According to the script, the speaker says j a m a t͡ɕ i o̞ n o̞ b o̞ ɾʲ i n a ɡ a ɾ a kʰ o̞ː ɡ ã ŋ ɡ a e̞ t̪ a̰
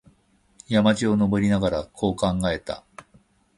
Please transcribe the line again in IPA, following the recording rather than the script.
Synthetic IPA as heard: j a m a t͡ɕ i o̞ n o̞ b o̞ ɾʲ i n a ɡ a ɾ a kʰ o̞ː k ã ŋ ɡ a e̞ t̪ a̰